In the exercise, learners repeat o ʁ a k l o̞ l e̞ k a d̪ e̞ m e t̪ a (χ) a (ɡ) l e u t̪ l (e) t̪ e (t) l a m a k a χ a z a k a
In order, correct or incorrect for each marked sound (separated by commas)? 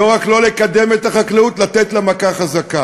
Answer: correct, incorrect, incorrect, correct